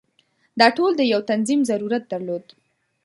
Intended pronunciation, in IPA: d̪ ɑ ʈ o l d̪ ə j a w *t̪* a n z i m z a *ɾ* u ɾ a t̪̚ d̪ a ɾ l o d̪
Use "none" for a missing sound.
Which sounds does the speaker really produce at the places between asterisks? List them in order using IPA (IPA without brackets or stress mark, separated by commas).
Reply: t̪, ɾ